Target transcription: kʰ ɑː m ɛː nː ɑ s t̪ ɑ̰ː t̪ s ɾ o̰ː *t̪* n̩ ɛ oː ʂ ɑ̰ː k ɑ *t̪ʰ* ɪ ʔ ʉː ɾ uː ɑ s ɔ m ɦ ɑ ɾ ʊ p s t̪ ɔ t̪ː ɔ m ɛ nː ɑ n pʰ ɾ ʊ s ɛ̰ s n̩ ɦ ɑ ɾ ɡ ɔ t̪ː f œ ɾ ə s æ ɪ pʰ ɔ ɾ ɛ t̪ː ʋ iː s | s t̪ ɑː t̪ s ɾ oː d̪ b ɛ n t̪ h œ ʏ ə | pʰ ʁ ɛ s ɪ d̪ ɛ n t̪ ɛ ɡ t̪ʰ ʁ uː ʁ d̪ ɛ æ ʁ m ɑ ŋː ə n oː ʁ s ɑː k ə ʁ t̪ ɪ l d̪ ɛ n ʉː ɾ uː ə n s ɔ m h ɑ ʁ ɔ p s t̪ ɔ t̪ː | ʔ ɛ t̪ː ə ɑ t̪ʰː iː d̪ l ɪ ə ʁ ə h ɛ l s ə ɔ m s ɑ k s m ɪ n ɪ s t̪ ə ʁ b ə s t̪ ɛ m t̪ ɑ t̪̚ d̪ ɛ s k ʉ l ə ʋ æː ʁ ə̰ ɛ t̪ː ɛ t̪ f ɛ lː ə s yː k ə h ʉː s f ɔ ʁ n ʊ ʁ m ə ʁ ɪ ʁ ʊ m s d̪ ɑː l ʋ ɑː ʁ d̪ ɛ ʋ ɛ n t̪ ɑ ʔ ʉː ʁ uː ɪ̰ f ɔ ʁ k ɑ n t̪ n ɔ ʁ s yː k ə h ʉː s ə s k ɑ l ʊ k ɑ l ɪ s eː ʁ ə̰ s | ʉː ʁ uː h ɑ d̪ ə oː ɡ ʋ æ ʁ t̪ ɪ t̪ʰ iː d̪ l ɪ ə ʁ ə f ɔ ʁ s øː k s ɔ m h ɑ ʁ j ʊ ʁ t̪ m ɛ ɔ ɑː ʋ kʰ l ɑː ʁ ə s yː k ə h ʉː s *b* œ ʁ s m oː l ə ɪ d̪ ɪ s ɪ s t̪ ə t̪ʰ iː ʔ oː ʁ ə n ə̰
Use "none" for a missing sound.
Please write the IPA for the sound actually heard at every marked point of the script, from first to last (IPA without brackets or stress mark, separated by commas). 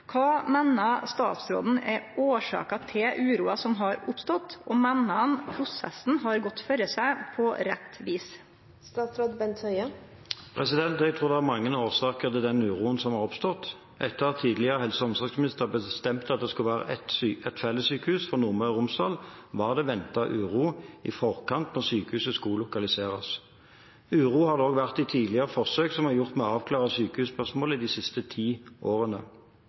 d̪, t̪ʰ, p